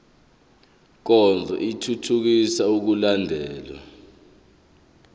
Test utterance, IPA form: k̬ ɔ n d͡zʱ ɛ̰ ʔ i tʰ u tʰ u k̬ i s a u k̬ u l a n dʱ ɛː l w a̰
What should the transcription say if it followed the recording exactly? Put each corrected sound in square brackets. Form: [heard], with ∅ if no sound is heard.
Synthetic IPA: k̬ ɔ n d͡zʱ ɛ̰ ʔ i tʰ u tʰ u k̬ i s a u k̬ u l a n dʱ ɛː l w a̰